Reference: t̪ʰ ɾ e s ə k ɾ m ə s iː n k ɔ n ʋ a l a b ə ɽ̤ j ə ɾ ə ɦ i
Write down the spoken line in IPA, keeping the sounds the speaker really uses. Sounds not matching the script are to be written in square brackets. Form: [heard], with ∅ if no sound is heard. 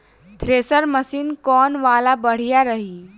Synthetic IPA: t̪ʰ ɾ e s ə [∅] ɾ m ə s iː n k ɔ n ʋ a l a b ə ɽ̤ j [a] ɾ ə ɦ i

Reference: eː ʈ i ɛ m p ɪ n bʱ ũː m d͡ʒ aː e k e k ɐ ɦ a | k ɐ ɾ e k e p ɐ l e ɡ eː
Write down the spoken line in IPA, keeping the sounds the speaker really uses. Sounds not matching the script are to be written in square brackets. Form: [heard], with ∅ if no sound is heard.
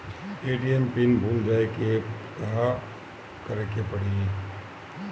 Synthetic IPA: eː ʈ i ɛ m p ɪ n bʱ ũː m d͡ʒ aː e k e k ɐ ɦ a | k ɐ ɾ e k e p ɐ [ɽ] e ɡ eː

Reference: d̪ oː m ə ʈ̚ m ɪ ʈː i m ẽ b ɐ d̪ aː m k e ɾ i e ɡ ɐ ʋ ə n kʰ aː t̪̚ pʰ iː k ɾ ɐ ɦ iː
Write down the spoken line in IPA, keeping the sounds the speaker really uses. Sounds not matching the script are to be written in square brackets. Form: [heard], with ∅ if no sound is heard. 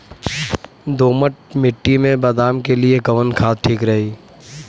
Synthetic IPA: d̪ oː m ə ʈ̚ m ɪ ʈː i m ẽ b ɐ d̪ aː m k e [l] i e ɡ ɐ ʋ ə n kʰ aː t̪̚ [ʈʰ] iː k ɾ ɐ ɦ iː

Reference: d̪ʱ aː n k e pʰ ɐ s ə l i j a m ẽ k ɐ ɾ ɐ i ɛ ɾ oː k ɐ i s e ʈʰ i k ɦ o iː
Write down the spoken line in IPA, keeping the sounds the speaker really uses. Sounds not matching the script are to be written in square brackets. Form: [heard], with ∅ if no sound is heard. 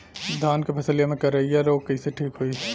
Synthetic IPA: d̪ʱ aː n k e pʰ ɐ s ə l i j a m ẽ k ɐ ɾ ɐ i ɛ ɾ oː k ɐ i s e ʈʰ [iː] k ɦ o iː

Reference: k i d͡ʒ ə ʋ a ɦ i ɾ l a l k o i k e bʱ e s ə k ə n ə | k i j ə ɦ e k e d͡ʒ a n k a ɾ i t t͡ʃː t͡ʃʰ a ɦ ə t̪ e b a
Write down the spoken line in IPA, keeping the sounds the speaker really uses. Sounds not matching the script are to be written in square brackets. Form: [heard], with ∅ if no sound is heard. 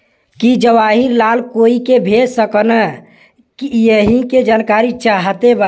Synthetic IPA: k i d͡ʒ ə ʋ a ɦ i ɾ l a l k o i k e bʱ e s ə k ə n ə | k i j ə ɦ [i] k e d͡ʒ a n k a ɾ i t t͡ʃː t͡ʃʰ a ɦ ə t̪ e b a

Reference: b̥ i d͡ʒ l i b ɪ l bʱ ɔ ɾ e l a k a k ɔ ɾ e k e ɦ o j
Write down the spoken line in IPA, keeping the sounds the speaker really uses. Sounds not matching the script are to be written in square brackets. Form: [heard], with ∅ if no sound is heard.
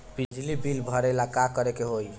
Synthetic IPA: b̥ i d͡ʒ l i b [i] l bʱ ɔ ɾ e l a k a k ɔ ɾ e k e ɦ o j

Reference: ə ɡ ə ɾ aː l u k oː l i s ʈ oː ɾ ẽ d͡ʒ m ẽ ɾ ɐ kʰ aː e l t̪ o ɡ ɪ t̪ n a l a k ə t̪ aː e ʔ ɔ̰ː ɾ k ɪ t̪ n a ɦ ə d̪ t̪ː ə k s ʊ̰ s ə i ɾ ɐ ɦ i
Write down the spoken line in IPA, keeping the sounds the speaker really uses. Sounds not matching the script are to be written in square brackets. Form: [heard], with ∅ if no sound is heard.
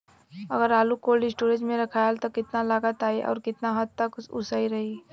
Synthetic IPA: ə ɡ ə ɾ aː l u k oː l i s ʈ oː ɾ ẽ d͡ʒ m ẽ ɾ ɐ kʰ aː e l t̪ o [k] ɪ t̪ n a l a [ɡ] ə t̪ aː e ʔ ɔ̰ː ɾ k ɪ t̪ n a ɦ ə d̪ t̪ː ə k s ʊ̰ s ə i ɾ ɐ ɦ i

